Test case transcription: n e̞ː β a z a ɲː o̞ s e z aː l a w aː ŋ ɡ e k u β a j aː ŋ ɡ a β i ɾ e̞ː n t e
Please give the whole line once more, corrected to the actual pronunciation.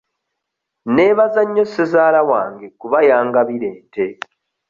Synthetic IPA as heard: n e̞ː β a z a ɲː o̞ s e z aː l a w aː ŋ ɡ e k u β a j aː ŋ ɡ a β i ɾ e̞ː n t e